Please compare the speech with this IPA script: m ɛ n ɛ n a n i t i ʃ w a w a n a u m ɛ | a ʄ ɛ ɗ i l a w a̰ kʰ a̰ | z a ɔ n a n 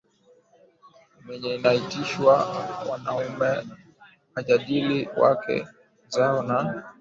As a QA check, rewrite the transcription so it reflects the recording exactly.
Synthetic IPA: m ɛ ɲ ɛ n a i t i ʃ w a w a n a u m ɛ | a ʄ a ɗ i l i w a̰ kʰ ɛ̰ | z a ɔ n a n